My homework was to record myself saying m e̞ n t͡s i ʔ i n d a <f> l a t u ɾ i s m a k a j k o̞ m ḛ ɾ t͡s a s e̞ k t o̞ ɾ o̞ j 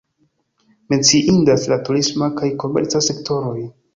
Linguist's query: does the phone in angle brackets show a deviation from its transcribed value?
yes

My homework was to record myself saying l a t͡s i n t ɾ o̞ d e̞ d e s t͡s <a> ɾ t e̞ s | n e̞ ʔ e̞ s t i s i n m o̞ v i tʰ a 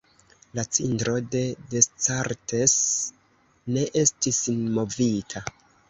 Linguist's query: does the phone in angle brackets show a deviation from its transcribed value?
no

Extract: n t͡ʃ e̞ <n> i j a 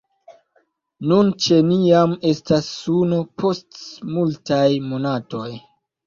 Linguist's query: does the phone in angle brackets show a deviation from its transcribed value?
no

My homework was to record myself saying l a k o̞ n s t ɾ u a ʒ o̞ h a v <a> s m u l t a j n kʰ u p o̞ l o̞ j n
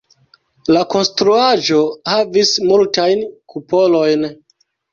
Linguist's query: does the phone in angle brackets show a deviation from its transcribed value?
yes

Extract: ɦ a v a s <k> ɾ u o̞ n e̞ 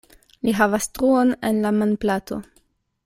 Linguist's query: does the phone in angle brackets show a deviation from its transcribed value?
yes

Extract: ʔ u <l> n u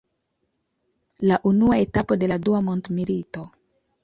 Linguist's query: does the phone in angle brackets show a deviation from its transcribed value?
yes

